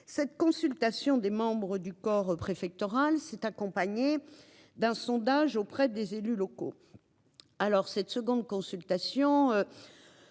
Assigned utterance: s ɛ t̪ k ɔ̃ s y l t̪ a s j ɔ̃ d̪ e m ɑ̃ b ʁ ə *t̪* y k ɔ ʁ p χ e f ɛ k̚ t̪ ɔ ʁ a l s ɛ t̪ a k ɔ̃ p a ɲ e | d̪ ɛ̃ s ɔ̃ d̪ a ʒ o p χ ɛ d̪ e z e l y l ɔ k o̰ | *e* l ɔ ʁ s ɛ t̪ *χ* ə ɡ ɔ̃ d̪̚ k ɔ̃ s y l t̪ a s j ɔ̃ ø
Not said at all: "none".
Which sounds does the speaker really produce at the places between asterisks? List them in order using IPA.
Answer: d̪, a, s

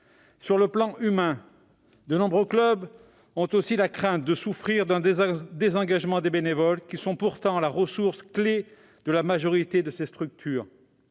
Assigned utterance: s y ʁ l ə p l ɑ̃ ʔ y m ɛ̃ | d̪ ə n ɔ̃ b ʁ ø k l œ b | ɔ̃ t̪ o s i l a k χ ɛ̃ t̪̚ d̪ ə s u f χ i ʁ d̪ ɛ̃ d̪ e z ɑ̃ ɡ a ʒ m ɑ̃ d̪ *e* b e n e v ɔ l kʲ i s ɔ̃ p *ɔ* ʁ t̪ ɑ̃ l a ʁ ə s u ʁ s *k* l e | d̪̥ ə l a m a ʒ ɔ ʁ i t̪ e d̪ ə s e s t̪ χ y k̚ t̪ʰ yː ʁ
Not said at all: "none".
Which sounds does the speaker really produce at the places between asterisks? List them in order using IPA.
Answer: e, u, k

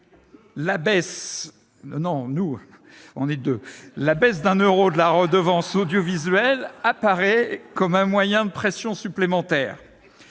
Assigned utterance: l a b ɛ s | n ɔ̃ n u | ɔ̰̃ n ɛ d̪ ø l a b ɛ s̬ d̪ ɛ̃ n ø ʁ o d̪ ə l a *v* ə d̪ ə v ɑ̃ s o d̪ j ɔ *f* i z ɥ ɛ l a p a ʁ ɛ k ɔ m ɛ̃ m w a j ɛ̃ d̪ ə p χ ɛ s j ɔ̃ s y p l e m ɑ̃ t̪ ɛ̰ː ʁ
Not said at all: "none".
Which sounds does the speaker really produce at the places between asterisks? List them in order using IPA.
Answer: ʁ, v

